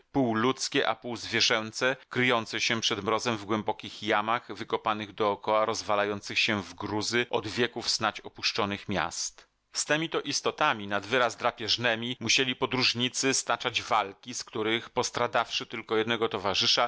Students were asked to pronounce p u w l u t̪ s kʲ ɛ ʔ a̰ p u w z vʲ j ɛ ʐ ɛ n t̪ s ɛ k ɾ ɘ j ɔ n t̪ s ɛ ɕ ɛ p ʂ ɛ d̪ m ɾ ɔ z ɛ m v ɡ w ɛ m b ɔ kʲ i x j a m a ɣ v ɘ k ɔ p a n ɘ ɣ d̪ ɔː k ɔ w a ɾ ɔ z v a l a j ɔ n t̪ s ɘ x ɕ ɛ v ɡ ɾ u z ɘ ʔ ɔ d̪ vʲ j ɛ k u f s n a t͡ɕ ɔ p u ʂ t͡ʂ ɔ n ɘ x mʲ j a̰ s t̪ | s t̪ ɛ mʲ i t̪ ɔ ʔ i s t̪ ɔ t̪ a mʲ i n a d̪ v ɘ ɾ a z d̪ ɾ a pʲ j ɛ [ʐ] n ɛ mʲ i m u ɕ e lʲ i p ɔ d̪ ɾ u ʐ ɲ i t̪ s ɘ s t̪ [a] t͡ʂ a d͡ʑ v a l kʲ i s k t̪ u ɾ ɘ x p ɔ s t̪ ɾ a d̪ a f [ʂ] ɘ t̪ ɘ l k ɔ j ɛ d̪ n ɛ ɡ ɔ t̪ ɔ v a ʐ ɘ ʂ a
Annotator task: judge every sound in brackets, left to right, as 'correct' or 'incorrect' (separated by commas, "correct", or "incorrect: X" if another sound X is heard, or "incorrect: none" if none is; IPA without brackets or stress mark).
correct, correct, correct